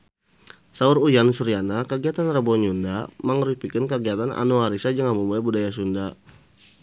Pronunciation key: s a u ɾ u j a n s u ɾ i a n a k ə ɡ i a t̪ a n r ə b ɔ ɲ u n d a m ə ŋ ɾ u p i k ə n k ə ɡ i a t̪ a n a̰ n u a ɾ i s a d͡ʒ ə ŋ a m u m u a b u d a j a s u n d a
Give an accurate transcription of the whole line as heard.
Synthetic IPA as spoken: s a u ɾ u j a n s u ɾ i a n a k ə ɡ i a t̪ a n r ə b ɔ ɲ u n d a m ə ŋ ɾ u p i k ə n k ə ɡ i a t̪ a n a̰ n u a ɾ i s a d͡ʒ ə ŋ a m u m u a b u d a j a s u n d a